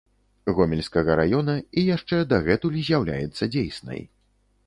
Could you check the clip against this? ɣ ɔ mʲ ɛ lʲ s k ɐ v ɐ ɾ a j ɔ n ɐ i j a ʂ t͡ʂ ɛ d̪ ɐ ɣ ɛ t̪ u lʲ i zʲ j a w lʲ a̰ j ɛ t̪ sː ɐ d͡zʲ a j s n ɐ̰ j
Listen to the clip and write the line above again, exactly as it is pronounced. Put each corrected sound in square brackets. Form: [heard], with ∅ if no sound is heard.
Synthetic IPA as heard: ɣ ɔ mʲ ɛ lʲ s k ɐ [ɣ] ɐ ɾ a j ɔ n ɐ i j a ʂ t͡ʂ ɛ d̪ ɐ ɣ ɛ t̪ u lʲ i zʲ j a w lʲ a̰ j ɛ t̪ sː ɐ d͡zʲ [e] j s n ɐ̰ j

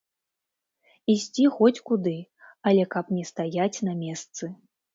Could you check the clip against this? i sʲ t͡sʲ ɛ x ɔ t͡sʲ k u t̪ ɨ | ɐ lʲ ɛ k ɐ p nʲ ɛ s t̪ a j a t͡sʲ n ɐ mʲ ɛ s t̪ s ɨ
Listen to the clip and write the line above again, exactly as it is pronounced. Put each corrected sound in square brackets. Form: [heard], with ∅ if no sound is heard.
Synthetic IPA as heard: i sʲ t͡sʲ [i] x ɔ t͡sʲ k u [d̪] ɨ | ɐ lʲ ɛ k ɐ p nʲ ɛ s t̪ a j a t͡sʲ n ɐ mʲ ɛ s t̪ s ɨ

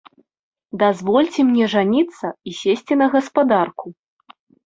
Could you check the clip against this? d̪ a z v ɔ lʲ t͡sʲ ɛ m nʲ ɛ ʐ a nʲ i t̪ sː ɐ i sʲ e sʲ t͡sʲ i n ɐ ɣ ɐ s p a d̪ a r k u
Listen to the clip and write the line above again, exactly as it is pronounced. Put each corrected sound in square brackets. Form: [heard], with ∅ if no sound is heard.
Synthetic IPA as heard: d̪ a z v ɔ lʲ t͡sʲ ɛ m nʲ ɛ ʐ a nʲ i t̪ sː ɐ i sʲ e sʲ t͡sʲ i n ɐ ɣ ɐ s p a d̪ a r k u

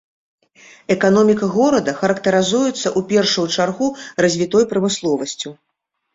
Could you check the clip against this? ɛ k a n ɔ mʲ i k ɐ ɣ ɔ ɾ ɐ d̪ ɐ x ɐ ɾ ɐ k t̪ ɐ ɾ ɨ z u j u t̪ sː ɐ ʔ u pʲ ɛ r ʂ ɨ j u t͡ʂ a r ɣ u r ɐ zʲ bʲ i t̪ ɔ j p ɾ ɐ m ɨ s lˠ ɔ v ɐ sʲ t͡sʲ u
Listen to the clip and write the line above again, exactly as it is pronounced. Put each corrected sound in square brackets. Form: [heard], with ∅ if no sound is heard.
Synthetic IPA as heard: ɛ k a n ɔ mʲ i k ɐ ɣ ɔ ɾ ɐ d̪ ɐ x ɐ ɾ ɐ k t̪ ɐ ɾ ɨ z u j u t̪ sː ɐ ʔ u pʲ ɛ r ʂ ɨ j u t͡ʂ a r ɣ u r ɐ zʲ [vʲ] i t̪ ɔ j p ɾ ɐ m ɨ s lˠ ɔ v ɐ sʲ t͡sʲ u

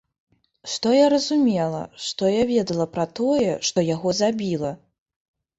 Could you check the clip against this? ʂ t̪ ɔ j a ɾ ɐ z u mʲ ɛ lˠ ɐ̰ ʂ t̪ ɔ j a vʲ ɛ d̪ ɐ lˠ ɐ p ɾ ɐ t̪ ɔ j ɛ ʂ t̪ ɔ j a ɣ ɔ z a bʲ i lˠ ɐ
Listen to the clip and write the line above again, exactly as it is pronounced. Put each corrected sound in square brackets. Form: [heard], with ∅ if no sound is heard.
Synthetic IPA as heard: ʂ t̪ ɔ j a ɾ ɐ z u mʲ ɛ lˠ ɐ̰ ʂ t̪ ɔ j a vʲ ɛ d̪ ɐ lˠ ɐ p ɾ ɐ t̪ ɔ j ɛ ʂ t̪ ɔ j a ɣ ɔ z a bʲ i lˠ ɐ

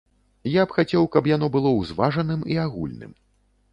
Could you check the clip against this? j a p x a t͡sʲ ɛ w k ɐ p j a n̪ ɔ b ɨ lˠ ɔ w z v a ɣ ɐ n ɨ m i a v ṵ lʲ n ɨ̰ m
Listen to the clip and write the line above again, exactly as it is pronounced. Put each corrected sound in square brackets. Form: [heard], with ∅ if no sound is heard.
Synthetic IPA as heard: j a p x a t͡sʲ ɛ w k ɐ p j a n̪ ɔ b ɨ lˠ ɔ w z v a [ʐ] ɐ n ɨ m i a [ɣ] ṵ lʲ n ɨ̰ m

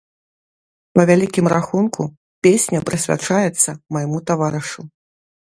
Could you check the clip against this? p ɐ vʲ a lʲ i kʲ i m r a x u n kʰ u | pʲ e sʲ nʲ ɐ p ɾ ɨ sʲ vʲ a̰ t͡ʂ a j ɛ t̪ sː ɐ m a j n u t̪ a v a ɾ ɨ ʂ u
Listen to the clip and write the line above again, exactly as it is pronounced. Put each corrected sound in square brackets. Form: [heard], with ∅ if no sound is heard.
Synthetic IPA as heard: p ɐ vʲ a lʲ i kʲ i m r a x u n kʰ u | pʲ e sʲ nʲ ɐ p ɾ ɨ sʲ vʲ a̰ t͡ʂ a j ɛ t̪ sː ɐ m a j [m] u t̪ a v a ɾ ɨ ʂ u

